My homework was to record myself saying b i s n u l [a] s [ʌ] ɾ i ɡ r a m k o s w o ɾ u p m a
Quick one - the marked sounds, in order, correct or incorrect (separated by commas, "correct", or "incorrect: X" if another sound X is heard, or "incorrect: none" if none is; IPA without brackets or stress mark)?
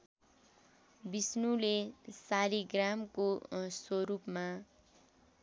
incorrect: e, incorrect: a